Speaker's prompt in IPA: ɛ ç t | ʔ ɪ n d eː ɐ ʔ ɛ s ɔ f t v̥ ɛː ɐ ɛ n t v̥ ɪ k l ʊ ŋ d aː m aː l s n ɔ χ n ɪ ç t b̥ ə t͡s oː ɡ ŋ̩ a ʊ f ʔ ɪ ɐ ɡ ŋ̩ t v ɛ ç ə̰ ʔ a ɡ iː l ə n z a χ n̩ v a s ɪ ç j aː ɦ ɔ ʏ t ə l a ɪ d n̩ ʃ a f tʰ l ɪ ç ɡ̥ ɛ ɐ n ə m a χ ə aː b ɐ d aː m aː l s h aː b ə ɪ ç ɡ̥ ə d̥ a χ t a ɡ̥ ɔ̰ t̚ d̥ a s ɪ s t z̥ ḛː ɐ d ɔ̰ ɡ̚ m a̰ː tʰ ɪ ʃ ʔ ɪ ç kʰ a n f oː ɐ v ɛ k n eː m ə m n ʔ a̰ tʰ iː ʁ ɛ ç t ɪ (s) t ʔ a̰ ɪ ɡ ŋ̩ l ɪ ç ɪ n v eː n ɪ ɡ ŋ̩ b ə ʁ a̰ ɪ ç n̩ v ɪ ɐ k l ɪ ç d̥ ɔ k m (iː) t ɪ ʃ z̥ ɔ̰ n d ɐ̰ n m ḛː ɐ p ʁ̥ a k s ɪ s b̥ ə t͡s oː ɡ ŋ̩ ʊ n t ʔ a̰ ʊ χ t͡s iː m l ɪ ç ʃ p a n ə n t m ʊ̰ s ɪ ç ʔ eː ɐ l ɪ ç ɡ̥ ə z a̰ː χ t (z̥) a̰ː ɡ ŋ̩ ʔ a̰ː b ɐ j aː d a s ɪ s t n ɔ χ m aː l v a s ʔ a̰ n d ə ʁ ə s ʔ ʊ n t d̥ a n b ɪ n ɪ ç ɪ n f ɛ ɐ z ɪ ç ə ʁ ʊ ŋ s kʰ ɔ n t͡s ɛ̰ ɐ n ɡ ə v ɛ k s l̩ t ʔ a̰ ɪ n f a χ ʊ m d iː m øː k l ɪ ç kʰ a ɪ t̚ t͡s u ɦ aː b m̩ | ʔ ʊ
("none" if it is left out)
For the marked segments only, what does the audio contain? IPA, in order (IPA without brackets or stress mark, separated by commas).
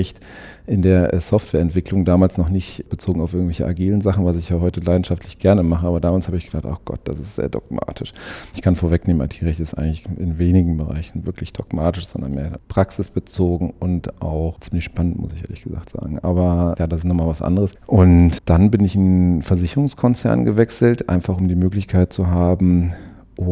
s, aː, z̥